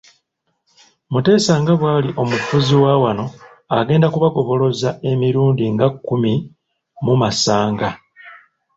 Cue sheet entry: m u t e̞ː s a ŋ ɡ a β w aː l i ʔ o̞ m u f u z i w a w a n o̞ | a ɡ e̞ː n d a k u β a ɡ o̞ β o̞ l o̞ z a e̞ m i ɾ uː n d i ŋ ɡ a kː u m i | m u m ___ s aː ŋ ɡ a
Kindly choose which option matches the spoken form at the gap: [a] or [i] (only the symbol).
a